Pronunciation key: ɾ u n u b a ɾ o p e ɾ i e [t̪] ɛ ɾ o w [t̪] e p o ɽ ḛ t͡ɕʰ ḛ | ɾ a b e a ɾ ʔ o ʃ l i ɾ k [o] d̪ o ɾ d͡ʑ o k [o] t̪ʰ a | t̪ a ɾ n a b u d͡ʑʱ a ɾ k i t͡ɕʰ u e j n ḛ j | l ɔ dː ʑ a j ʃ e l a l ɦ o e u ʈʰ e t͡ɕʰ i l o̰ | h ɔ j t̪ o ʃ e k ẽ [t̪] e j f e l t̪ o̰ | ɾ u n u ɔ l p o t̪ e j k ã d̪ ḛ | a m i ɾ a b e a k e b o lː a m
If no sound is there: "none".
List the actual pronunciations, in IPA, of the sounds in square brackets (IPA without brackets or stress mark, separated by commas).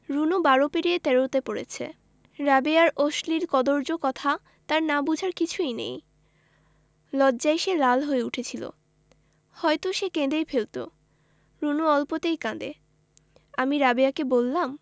t̪, t̪, ɔ, ɔ, d̪